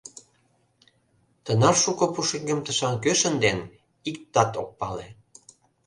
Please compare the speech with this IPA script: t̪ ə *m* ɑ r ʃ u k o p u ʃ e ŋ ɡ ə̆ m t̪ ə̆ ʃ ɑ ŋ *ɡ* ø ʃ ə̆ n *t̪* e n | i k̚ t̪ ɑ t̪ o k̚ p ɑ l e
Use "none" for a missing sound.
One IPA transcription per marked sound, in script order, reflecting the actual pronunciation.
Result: n, k, d̪

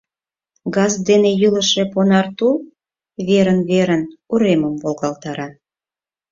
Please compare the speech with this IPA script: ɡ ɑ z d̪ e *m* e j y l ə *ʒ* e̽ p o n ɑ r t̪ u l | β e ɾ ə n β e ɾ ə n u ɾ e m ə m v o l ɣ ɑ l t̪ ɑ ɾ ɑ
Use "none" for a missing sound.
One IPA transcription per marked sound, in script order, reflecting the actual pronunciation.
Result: n, ʃ

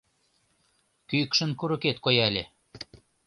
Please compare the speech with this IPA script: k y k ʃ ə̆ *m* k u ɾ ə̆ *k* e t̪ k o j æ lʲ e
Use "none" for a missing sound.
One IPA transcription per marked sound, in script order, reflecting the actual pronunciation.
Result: n, k

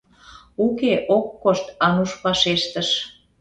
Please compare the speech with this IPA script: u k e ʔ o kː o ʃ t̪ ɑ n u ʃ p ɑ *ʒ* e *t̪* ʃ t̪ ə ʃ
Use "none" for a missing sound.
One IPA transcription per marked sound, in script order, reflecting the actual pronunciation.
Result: ʃ, none

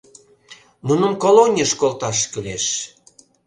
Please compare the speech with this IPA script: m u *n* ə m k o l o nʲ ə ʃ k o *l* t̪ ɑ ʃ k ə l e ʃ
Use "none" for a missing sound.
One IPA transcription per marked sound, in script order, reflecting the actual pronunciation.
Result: n, l

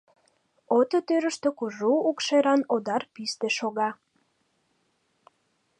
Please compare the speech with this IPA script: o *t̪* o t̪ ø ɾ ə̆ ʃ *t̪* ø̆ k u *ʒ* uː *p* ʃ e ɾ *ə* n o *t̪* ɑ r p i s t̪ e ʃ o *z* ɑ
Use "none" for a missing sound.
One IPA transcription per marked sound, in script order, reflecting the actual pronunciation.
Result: t̪, t̪, ʒ, k, ɑ, d̪, ɣ

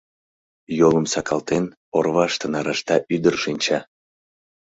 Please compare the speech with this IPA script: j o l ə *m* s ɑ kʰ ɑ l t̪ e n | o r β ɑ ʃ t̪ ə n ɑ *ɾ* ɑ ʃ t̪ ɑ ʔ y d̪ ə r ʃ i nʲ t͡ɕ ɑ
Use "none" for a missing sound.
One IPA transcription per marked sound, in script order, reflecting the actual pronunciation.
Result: m, ɾ

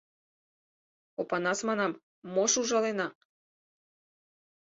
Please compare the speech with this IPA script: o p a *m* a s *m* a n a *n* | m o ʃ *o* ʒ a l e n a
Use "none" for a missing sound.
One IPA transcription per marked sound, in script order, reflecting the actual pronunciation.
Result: n, m, m, u

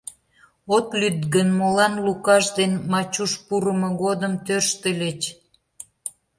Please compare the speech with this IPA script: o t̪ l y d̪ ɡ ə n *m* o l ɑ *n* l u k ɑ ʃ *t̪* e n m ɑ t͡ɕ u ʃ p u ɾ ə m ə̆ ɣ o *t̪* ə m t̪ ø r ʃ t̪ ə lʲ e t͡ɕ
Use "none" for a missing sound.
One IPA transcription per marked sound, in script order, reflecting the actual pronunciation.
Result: m, n, d̪, d̪

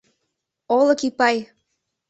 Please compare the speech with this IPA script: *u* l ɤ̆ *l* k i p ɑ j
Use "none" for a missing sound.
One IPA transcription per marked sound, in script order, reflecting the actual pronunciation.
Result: o, none

